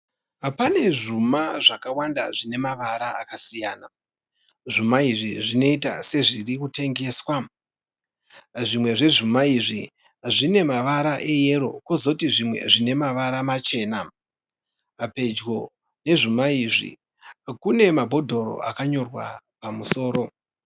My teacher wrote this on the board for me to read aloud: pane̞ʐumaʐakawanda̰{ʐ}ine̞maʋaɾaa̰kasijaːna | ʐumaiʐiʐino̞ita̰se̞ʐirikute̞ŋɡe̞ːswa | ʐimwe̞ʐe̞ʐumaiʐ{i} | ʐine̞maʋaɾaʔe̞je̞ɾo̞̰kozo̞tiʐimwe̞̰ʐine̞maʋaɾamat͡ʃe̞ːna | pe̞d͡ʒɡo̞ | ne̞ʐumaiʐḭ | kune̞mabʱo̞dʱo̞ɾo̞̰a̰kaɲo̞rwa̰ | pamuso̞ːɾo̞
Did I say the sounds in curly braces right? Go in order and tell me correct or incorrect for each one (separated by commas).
correct, correct